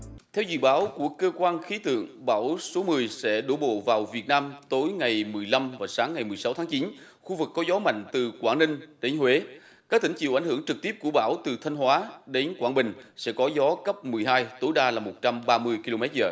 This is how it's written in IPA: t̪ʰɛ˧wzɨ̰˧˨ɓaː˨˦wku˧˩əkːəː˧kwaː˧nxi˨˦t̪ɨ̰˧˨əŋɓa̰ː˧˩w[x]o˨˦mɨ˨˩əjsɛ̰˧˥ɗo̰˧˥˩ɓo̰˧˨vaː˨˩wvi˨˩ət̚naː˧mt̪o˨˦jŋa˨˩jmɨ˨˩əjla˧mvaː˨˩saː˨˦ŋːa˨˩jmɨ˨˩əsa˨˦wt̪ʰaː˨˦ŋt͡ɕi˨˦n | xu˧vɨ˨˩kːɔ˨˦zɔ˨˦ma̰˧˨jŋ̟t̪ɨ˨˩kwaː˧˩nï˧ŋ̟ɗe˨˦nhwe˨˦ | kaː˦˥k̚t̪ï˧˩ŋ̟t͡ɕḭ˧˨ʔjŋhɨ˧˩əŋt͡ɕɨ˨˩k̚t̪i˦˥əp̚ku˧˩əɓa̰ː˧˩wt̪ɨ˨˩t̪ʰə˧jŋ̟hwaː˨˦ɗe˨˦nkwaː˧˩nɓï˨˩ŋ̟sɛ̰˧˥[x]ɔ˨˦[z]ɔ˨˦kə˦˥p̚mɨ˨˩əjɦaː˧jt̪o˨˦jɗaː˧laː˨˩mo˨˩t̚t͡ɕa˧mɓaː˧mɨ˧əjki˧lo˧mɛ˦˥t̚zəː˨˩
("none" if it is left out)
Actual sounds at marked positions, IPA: s, k, z

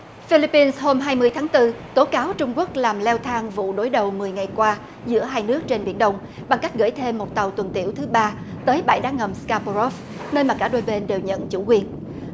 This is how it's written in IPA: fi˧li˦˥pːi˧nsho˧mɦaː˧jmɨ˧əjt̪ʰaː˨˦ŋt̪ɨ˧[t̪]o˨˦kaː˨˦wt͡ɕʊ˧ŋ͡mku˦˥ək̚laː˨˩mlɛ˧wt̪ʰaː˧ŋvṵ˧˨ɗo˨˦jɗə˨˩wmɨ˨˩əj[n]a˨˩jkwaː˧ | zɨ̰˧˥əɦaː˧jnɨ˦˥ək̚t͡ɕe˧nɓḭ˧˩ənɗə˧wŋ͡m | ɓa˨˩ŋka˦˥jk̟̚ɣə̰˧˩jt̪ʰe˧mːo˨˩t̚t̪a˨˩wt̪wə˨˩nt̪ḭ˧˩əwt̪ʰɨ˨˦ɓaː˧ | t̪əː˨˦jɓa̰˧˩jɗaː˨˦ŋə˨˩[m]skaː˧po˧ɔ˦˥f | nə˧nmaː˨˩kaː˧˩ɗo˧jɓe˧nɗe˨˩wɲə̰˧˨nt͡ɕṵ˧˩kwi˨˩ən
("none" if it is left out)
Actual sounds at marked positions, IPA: t̪, ŋ, m

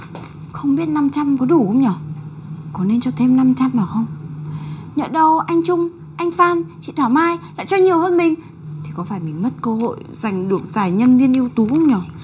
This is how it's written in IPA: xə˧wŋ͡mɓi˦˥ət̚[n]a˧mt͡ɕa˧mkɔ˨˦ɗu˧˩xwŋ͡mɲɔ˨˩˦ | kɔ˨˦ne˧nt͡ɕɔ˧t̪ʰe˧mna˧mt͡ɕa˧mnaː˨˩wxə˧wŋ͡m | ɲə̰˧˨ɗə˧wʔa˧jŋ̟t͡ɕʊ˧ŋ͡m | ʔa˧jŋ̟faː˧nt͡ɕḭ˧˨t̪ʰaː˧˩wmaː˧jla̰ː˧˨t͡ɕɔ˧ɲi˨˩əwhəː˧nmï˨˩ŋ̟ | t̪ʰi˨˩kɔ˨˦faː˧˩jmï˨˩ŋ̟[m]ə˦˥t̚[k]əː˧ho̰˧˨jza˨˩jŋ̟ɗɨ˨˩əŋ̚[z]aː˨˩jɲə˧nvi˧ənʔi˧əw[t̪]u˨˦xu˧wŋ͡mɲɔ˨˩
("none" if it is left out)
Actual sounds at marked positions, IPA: n, m, k, z, t̪

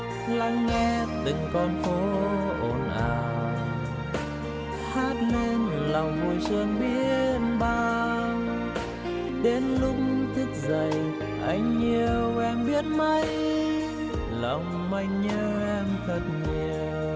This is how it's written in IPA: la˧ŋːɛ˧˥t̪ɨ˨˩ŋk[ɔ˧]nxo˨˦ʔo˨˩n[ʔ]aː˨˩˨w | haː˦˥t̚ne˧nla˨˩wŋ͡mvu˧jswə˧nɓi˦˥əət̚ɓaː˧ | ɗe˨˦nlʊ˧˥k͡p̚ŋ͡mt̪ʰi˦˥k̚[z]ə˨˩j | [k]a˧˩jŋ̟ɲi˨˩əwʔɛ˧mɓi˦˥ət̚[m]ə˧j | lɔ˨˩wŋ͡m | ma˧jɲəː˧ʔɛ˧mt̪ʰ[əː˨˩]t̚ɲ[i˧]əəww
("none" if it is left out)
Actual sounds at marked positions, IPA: ɔ˧, ʔ, z, ʔ, m, ə˨˩, i˨˩

